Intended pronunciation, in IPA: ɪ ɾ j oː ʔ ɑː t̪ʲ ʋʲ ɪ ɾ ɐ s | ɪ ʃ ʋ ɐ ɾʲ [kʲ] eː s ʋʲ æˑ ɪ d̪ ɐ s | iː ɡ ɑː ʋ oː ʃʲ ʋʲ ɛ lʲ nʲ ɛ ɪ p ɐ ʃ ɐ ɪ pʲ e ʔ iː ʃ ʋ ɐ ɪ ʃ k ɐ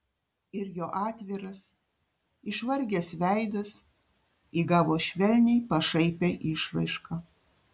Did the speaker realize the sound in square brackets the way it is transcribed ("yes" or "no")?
no